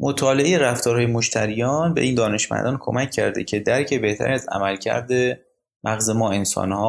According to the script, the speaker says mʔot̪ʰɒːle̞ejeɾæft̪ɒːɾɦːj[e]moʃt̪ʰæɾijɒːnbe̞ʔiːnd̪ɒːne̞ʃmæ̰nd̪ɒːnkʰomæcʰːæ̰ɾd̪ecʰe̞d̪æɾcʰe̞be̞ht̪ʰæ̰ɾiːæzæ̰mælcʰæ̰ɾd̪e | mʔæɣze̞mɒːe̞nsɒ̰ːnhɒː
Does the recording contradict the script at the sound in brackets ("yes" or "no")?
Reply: no